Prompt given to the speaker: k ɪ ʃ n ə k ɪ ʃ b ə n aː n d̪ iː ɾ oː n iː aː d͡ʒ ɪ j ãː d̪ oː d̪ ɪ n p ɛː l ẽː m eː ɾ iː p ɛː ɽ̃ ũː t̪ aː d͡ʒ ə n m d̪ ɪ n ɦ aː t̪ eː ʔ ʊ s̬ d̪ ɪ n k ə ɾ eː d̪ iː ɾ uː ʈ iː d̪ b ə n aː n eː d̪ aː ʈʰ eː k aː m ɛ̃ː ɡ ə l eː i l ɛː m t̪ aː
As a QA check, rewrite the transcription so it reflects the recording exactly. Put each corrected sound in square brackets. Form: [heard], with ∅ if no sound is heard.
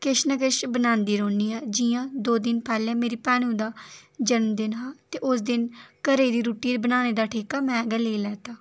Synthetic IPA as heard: k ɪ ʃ n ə k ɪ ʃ b ə n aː n d̪ iː ɾ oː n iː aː d͡ʒ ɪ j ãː d̪ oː d̪ ɪ n p ɛː l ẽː m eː ɾ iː p ɛː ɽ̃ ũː [d̪] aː d͡ʒ ə n m d̪ ɪ n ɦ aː t̪ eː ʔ ʊ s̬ d̪ ɪ n k ə ɾ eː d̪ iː ɾ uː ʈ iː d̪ b ə n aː n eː d̪ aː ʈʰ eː k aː m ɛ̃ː ɡ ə l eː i l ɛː [∅] t̪ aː